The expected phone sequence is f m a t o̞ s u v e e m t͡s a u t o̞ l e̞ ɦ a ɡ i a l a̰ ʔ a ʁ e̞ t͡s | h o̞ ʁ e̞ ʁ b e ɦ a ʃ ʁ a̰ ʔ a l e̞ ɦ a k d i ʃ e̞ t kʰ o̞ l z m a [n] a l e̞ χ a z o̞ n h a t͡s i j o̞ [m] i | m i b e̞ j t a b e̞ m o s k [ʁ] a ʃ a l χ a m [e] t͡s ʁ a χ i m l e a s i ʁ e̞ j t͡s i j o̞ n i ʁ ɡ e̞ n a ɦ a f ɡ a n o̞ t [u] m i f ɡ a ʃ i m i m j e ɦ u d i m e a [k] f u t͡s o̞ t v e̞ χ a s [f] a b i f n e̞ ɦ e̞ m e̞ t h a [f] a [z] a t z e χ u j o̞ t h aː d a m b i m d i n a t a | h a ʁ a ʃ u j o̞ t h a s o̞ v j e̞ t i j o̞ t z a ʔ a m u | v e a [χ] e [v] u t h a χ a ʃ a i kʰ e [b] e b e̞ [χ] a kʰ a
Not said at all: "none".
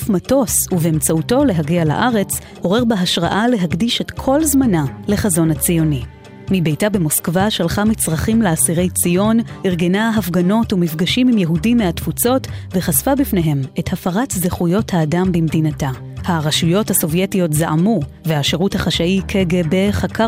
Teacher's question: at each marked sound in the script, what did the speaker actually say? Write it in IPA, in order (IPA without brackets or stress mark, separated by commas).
n, n, v, i, u, t, f, f, ʁ, ʃ, ʁ, ɡ, χ